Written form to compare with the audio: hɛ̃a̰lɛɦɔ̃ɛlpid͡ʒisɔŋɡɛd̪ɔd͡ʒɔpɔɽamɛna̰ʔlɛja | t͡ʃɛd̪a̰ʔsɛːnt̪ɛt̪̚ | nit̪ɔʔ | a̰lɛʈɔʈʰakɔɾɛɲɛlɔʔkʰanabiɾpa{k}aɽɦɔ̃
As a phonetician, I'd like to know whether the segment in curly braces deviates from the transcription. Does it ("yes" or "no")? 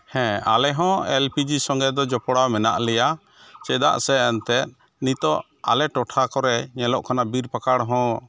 no